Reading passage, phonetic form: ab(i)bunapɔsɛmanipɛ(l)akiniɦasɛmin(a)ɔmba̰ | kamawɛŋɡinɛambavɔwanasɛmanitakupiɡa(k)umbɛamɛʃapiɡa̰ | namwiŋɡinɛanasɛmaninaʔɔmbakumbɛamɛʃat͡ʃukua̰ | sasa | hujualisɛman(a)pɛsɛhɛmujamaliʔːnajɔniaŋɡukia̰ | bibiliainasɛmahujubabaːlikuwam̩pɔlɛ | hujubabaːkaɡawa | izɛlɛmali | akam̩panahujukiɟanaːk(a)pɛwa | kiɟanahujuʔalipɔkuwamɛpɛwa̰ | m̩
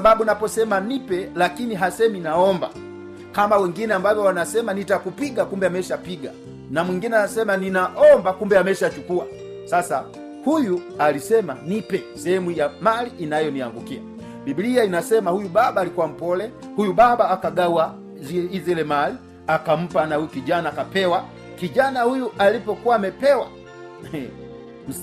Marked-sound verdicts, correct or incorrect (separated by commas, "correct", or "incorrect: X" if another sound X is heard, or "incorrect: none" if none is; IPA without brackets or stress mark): incorrect: a, correct, correct, correct, incorrect: i, correct